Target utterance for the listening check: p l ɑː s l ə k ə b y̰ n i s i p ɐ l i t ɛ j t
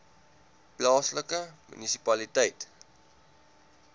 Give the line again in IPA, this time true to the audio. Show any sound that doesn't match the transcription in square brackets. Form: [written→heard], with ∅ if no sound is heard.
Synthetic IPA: p l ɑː s l ə k ə [b→m] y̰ n i s i p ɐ l i t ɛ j t